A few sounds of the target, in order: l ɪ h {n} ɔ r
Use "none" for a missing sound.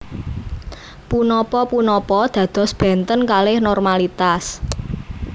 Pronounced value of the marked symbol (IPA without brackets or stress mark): n